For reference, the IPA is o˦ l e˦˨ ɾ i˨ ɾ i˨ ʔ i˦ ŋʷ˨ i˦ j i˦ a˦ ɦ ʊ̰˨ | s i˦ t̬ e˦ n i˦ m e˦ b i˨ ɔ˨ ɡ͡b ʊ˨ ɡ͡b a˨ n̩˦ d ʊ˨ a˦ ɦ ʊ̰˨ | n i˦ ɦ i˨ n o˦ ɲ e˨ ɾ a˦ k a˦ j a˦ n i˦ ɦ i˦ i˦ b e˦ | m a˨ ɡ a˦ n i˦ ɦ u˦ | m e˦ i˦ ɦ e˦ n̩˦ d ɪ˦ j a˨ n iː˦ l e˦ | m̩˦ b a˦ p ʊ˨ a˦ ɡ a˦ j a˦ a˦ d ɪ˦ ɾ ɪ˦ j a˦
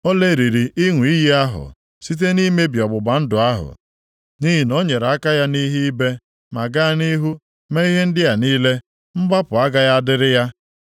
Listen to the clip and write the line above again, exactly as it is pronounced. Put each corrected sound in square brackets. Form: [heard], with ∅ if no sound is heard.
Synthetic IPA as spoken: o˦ l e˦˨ ɾ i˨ ɾ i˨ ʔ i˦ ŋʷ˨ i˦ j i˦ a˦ ɦ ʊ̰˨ | s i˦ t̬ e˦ n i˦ m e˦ b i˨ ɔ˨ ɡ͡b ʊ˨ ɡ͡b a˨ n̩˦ d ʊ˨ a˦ ɦ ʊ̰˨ | n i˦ ɦ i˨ n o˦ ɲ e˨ ɾ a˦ k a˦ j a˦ n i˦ ɦ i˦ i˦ b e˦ | m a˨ ɡ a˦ n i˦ ɦ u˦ | m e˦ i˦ ɦ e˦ n̩˦ d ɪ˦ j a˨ n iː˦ l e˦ | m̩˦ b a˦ p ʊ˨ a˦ ɡ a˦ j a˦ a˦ d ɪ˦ ɾ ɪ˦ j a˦